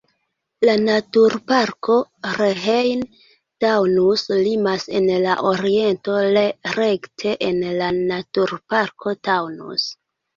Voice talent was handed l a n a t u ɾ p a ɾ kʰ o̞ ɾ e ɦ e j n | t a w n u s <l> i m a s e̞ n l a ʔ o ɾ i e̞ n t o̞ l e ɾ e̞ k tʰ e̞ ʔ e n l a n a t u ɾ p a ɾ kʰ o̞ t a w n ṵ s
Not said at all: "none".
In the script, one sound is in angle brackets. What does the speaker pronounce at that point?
l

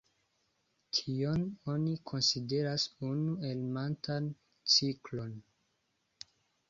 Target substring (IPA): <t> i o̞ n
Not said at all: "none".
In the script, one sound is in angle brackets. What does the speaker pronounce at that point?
tʰ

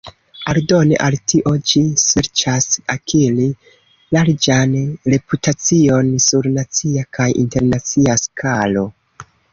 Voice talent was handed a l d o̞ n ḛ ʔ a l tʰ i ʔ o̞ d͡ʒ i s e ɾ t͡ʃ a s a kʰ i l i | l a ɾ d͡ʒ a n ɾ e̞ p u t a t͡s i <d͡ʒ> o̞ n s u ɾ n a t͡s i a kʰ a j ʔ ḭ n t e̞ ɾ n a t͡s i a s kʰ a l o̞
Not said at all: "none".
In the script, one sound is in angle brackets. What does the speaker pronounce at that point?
none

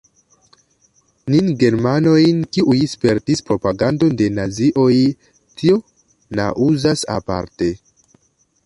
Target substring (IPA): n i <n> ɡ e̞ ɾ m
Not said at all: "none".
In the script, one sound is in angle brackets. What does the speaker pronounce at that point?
n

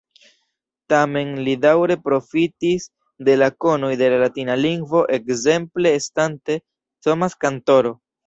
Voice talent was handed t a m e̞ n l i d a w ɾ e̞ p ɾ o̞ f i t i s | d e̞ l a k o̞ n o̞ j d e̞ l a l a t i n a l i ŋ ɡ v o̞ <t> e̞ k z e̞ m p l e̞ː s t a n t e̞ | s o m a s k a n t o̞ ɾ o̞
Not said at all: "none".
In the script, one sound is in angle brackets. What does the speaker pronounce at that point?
ʔ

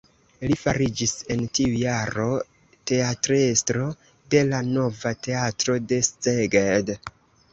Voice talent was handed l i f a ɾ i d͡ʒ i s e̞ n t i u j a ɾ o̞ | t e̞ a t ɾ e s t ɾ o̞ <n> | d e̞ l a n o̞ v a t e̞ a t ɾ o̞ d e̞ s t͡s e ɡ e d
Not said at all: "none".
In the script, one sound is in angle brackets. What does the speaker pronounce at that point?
none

